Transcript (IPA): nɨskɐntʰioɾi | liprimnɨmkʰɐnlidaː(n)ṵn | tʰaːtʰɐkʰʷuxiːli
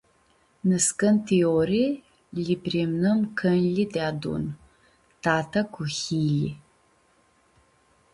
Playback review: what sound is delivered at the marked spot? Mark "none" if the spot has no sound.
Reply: d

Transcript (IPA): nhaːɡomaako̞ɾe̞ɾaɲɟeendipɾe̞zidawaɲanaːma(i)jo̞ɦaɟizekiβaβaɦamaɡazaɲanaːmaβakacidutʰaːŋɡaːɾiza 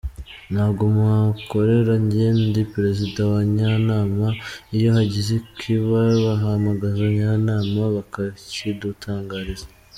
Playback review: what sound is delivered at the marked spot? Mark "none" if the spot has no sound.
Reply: i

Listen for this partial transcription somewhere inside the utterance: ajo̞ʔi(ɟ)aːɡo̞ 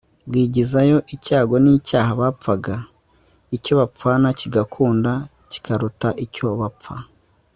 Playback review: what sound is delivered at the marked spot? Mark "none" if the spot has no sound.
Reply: c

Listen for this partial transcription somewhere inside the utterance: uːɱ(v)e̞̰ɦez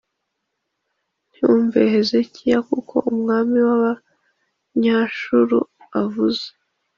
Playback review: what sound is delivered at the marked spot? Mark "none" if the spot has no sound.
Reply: v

